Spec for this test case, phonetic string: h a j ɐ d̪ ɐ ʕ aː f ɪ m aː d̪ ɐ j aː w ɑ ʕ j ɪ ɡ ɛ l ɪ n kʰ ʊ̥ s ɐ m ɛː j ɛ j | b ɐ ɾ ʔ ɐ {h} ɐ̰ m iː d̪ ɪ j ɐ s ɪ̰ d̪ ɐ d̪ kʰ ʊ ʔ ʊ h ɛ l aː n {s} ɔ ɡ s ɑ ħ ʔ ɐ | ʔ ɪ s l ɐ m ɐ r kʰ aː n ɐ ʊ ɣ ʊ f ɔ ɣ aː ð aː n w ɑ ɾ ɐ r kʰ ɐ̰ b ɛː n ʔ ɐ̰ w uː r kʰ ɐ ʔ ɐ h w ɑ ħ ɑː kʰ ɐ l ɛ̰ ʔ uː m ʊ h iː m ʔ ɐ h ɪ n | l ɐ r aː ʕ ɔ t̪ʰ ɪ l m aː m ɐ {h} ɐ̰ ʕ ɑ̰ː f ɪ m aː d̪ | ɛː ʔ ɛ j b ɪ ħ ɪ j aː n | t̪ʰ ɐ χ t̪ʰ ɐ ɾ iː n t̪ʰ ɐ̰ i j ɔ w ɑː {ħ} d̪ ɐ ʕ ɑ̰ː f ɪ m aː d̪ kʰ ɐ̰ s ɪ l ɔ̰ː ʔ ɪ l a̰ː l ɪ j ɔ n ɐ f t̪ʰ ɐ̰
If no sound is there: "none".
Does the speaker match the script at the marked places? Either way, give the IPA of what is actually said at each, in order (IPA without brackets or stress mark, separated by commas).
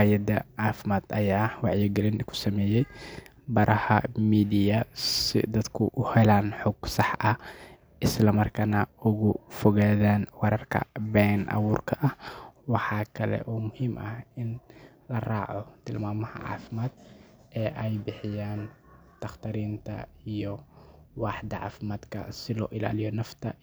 h, ħ, h, ħ